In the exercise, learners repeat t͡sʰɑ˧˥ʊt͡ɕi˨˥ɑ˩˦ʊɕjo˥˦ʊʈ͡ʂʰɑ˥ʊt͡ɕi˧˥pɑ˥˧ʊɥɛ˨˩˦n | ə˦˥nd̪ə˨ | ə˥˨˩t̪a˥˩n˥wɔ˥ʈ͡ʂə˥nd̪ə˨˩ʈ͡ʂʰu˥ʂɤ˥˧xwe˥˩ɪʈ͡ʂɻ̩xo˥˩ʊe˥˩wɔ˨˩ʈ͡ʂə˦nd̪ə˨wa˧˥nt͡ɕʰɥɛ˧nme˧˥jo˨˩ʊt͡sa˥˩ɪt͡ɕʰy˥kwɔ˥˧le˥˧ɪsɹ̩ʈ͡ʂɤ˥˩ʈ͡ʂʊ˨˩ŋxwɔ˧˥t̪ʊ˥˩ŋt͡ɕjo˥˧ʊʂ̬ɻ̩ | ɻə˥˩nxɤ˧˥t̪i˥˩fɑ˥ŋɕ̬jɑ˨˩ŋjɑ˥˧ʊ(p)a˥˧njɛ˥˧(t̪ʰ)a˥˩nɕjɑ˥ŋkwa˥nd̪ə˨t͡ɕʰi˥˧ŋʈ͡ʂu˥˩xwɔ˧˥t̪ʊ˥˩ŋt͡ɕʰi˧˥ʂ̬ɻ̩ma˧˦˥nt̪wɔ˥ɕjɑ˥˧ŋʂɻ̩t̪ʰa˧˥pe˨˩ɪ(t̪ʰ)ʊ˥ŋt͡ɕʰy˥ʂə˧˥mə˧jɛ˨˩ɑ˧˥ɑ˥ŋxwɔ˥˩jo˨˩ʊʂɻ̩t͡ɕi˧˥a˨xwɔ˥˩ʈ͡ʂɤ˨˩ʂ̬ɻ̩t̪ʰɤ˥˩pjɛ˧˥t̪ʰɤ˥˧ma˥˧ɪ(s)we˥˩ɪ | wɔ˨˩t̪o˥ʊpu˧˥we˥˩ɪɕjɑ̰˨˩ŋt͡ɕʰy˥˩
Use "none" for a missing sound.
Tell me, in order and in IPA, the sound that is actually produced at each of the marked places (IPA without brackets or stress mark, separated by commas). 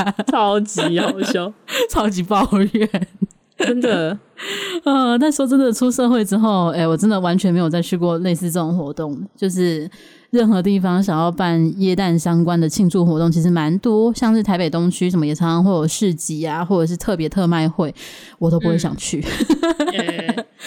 p, t̪, t̪, x